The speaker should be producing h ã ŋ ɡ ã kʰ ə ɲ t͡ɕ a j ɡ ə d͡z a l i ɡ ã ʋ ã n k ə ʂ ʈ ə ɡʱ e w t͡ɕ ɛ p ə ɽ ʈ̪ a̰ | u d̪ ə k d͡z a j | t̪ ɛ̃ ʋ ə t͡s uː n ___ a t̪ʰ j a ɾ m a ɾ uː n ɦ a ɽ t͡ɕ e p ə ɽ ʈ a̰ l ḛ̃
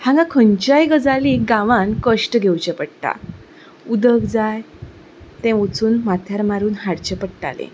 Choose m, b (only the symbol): m